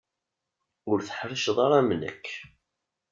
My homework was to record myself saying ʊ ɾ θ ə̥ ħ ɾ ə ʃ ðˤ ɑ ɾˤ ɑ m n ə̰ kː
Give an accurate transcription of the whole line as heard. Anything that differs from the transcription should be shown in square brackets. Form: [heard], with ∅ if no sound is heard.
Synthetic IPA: ʊ ɾ θ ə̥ ħ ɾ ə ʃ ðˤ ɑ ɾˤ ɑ m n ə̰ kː